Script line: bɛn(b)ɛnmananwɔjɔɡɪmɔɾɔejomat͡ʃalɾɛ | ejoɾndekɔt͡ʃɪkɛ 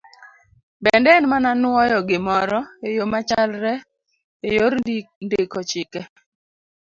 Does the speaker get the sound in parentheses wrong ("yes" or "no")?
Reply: yes